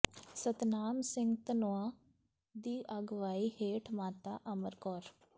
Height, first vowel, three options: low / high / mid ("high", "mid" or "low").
mid